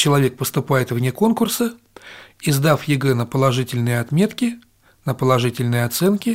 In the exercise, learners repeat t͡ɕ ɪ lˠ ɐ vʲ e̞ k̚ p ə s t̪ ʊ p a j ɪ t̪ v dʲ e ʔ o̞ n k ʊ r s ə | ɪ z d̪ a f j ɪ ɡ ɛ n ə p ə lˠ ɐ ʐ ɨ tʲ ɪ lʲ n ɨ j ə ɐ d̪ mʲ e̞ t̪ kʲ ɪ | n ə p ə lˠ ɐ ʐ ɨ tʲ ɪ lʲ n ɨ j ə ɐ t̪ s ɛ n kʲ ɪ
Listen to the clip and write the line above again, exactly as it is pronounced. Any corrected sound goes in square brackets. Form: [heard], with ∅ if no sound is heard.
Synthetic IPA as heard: t͡ɕ ɪ lˠ ɐ vʲ e̞ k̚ p ə s t̪ ʊ p a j ɪ t̪ v [nʲ] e [k] o̞ n k ʊ r s ə | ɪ z d̪ a f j ɪ ɡ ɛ n ə p ə lˠ ɐ ʐ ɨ tʲ ɪ lʲ n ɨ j ə ɐ [t̪] mʲ e̞ t̪ kʲ ɪ | n ə p ə lˠ ɐ ʐ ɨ tʲ ɪ lʲ n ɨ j ə ɐ t̪ s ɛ n kʲ ɪ